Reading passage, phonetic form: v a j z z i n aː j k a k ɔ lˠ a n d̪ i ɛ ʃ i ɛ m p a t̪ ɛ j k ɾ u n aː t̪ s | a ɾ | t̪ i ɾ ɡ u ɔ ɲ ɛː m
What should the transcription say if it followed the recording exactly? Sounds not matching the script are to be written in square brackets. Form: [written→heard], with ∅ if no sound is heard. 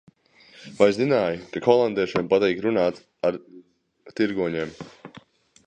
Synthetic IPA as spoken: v a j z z i n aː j k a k ɔ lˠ a n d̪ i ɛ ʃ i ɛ m p a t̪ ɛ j k ɾ u n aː t̪ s | a ɾ | t̪ i ɾ ɡ u ɔ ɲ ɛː m

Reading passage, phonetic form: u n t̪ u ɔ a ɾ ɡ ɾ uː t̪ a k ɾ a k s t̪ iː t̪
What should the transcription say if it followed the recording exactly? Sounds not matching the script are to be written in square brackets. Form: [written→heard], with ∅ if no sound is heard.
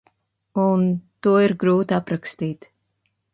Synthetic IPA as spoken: u n t̪ u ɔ [a→i] ɾ ɡ ɾ uː t̪ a [k→p] ɾ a k s t̪ iː t̪

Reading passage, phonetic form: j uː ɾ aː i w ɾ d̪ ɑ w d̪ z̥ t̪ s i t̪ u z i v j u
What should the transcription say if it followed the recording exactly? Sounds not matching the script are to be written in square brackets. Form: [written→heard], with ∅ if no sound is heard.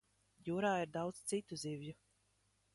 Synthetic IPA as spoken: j uː ɾ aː i [w→∅] ɾ d̪ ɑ w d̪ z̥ t̪ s i t̪ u z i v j u

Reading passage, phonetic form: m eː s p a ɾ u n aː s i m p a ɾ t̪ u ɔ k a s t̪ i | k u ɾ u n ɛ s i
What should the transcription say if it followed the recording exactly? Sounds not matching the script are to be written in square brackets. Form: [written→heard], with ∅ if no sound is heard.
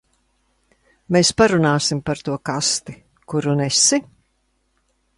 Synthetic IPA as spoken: m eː s p a ɾ u n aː s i m p a ɾ t̪ u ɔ k a s t̪ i | k u ɾ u n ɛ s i

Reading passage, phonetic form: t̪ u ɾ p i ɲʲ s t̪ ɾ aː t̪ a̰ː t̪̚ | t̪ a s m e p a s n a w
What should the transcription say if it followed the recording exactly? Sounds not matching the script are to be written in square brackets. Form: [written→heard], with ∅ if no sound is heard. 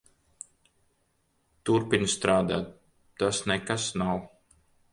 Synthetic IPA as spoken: t̪ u ɾ p i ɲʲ s t̪ ɾ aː [t̪→d̪] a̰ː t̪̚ | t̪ a s [m→n] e [p→k] a s n a w

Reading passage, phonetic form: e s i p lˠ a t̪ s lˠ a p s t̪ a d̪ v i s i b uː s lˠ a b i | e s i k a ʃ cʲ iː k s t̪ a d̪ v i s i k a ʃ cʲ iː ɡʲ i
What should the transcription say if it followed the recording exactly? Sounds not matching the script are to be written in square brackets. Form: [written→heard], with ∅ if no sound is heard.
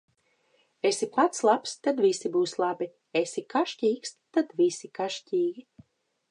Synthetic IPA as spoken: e s i p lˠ a t̪ s lˠ a p s t̪ a d̪ v i s i b uː s lˠ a b i | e s i k a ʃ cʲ iː k s t̪ a d̪ v i s i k a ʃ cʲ iː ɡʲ i

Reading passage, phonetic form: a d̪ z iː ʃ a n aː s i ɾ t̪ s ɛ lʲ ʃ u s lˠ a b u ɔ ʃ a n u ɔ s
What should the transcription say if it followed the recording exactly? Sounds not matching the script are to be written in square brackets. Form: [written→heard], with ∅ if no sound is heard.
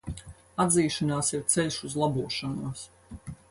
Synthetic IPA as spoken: a d̪ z iː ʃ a n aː s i ɾ t̪ s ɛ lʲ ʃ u [s→z] lˠ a b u ɔ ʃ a n u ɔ s

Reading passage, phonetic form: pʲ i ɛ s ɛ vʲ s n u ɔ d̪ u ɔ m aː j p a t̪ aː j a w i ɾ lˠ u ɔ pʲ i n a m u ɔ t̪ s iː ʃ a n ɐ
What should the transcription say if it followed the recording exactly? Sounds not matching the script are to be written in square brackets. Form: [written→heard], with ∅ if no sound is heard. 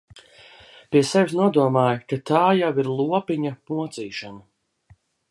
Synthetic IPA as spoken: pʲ i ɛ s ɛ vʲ s n u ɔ d̪ u ɔ m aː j [p→k] a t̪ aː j a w i ɾ lˠ u ɔ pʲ i [n→ɲ] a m u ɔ t̪ s iː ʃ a n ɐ

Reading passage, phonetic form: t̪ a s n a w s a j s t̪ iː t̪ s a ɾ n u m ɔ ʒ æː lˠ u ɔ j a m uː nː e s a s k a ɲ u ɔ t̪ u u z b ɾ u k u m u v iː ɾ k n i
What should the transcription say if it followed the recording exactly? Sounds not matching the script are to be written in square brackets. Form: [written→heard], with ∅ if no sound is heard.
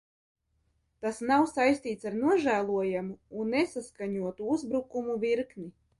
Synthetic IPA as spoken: t̪ a s n a w s a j s t̪ iː t̪ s a ɾ n u [m→∅] ɔ ʒ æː lˠ u ɔ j a m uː nː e s a s k a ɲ u ɔ t̪ u u z b ɾ u k u m u v [iː→i] ɾ k n i

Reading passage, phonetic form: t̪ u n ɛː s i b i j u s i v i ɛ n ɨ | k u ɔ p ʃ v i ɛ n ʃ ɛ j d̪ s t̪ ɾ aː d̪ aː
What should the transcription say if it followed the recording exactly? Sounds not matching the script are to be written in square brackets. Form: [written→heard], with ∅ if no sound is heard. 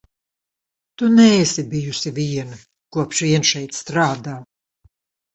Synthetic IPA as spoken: t̪ u n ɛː s i b i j u s i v i ɛ n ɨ | k u ɔ p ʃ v i ɛ n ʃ ɛ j [d̪→t̪] s t̪ ɾ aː d̪ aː

